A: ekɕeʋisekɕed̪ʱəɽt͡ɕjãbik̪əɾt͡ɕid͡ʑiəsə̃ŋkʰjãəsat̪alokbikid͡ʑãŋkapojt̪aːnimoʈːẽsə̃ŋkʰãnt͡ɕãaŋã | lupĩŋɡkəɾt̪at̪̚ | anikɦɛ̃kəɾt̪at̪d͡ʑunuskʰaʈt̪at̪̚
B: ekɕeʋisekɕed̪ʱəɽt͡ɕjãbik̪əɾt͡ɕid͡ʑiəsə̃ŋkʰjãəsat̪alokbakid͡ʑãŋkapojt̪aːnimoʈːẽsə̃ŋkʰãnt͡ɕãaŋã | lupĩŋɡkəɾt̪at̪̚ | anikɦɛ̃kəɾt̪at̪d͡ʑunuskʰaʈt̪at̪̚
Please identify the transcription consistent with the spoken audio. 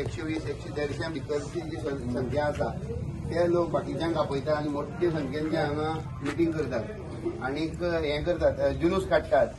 B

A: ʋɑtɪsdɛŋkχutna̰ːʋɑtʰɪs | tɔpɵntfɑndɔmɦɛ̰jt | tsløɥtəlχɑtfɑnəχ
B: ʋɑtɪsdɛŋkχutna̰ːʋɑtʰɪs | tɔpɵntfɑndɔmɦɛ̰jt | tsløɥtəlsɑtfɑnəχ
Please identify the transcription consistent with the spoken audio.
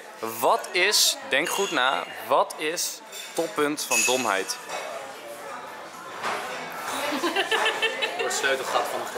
A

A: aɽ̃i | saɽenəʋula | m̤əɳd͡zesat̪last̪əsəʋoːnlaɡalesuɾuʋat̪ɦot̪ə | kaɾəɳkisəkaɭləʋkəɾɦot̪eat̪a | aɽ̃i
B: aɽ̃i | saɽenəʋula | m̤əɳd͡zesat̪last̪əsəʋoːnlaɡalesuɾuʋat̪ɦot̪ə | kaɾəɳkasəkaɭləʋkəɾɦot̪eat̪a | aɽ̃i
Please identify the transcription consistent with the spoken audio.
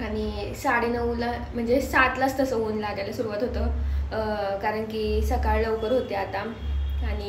A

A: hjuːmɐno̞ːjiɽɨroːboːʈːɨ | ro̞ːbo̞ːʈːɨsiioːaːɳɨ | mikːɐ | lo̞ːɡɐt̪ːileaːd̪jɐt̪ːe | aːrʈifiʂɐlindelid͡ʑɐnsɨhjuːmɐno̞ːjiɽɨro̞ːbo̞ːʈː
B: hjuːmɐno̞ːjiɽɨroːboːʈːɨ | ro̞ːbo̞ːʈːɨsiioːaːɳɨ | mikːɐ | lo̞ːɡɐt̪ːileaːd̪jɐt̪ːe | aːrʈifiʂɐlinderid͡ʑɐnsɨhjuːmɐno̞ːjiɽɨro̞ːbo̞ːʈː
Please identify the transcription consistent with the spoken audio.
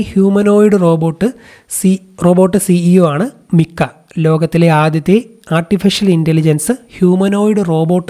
A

